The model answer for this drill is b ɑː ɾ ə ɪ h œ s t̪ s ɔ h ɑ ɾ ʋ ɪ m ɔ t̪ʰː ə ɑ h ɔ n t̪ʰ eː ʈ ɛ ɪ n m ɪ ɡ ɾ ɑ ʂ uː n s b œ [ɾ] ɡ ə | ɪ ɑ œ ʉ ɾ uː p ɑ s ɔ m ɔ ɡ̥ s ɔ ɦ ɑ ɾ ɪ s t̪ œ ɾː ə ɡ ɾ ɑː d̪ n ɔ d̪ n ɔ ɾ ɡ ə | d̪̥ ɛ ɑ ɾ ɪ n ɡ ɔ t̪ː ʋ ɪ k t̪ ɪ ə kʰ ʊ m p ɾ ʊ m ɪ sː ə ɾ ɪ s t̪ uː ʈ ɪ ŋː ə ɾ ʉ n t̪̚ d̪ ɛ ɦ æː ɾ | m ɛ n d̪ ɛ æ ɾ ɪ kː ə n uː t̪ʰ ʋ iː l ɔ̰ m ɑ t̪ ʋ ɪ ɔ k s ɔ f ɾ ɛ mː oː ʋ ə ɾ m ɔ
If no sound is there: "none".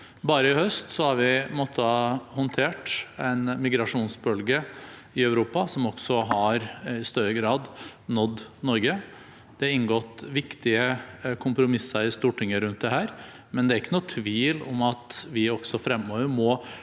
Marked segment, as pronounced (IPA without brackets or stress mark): l